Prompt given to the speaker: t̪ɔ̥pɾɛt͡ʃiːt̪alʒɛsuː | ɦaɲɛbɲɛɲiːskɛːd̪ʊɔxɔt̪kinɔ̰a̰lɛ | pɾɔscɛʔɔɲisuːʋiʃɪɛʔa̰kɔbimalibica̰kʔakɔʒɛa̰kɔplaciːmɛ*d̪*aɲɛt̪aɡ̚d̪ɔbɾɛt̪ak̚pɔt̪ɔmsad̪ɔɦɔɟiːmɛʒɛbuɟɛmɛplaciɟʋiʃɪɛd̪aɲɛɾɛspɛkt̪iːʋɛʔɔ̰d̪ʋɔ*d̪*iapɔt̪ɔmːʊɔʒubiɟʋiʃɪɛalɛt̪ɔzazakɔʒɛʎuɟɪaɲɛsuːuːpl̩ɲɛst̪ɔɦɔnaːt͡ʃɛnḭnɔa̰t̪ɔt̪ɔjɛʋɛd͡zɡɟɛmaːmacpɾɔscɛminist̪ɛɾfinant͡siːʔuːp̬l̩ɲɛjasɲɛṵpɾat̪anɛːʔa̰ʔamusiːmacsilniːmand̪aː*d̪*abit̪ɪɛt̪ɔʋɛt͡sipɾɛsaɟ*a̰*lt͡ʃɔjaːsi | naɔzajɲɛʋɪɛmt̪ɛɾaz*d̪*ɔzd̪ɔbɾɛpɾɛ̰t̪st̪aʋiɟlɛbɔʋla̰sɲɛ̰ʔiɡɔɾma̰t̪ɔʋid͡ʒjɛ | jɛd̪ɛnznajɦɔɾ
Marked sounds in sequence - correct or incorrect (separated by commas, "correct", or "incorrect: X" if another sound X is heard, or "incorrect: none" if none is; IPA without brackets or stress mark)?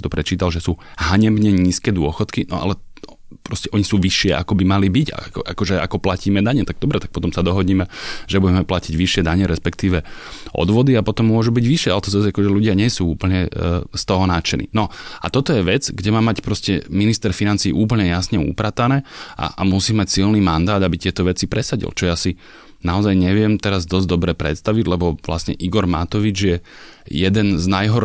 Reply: correct, correct, correct, incorrect: ḭ, correct